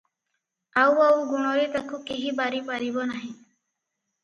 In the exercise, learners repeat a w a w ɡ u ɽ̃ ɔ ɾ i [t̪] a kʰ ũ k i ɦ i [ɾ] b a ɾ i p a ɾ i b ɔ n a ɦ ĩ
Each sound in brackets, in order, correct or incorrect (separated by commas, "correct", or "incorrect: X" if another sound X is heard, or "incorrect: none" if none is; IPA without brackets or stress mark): correct, incorrect: none